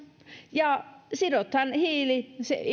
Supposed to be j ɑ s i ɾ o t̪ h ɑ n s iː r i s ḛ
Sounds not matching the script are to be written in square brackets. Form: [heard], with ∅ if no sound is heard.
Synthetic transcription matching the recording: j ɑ s i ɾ o t̪ h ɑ n [h] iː [l] i s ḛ